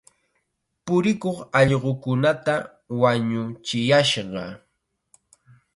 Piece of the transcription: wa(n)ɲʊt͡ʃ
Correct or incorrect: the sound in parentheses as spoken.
incorrect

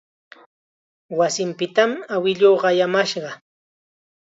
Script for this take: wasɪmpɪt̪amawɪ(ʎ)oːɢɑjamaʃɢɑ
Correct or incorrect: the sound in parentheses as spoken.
correct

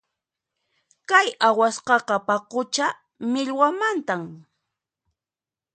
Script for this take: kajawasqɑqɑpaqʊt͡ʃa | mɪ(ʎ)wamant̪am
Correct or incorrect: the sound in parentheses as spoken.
correct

